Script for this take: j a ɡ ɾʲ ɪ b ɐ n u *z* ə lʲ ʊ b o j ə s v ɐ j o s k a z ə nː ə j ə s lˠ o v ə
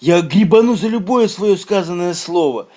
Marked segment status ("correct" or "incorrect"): correct